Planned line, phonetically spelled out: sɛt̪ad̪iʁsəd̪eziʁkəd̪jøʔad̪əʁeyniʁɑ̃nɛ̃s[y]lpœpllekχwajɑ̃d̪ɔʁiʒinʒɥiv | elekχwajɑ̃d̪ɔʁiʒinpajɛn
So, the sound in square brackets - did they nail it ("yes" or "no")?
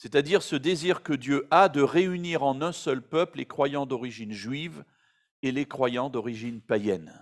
no